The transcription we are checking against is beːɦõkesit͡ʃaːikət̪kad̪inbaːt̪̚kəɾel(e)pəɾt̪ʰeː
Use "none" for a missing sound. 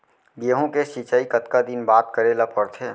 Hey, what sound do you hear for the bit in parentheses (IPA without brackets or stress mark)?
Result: a